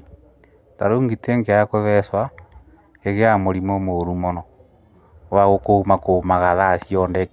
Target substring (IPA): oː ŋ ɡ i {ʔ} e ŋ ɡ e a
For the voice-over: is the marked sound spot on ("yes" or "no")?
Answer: no